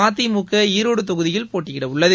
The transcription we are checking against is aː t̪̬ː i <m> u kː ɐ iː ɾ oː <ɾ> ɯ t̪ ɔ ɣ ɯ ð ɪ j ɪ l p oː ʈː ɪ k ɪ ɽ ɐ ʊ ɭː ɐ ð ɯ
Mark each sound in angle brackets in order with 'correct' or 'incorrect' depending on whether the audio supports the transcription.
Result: correct, incorrect: ɽ

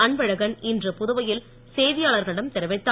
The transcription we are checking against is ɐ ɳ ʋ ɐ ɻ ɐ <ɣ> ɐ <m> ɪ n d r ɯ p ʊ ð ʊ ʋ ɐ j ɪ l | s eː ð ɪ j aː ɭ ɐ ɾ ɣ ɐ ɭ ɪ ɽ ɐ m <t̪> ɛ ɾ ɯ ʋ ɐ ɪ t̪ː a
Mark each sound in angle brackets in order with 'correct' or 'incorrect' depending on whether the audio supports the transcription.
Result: correct, incorrect: n, correct

